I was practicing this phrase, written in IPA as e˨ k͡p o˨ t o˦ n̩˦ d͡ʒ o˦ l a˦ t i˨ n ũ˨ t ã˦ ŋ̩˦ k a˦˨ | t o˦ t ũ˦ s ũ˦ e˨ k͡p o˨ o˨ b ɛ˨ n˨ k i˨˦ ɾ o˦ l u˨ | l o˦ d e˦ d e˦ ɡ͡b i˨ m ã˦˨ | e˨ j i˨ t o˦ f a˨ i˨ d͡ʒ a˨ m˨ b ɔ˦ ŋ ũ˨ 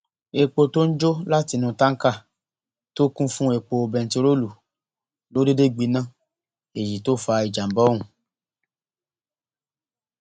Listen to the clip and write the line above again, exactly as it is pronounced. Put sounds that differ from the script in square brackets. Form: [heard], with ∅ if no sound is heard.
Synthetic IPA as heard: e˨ k͡p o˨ t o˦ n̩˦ d͡ʒ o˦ l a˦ t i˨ n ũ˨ t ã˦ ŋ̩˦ k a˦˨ | t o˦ [k] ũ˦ [f] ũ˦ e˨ k͡p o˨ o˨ b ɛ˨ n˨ [t] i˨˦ ɾ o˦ l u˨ | l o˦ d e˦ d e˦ ɡ͡b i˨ [n] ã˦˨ | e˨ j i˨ t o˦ f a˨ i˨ d͡ʒ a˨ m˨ b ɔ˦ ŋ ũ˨

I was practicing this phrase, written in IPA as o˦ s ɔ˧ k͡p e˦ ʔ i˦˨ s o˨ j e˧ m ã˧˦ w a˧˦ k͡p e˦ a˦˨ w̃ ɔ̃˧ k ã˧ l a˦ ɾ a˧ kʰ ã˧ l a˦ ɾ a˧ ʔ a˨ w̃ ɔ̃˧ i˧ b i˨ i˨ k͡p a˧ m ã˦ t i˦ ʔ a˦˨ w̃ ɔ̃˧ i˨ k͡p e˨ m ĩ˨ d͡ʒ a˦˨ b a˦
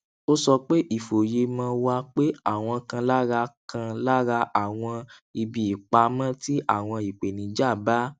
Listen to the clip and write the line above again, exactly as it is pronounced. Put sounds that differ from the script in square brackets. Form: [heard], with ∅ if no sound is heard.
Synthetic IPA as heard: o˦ s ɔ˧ k͡p e˦ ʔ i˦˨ [f] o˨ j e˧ m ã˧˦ w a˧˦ k͡p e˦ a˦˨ w̃ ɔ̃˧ k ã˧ l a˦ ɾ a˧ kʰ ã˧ l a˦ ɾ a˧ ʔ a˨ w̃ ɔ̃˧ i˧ b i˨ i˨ k͡p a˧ m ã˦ t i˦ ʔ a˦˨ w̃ ɔ̃˧ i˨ k͡p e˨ [n] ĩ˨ d͡ʒ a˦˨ b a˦

